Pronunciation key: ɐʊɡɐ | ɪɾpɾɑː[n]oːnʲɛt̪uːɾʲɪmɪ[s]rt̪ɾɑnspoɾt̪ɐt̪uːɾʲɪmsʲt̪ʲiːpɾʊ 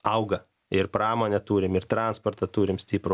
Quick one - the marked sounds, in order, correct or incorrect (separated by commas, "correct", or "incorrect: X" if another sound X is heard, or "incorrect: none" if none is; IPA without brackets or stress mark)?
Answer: incorrect: m, incorrect: none